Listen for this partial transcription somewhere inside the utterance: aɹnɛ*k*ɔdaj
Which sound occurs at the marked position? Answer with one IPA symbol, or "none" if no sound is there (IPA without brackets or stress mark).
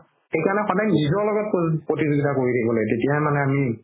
x